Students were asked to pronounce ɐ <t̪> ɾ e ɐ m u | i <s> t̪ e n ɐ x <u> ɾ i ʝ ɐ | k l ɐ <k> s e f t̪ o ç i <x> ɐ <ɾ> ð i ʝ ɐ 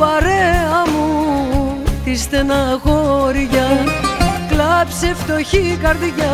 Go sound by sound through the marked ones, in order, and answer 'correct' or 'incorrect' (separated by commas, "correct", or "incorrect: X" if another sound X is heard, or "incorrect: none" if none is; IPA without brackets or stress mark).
incorrect: none, correct, incorrect: o, incorrect: p, incorrect: k, correct